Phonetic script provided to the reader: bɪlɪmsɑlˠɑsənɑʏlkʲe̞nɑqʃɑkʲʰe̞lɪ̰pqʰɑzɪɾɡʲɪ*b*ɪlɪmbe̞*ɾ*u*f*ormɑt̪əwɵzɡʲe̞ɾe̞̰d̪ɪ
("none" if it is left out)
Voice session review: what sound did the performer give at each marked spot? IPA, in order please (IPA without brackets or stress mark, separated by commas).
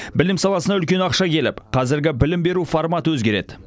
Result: b, ɾ, f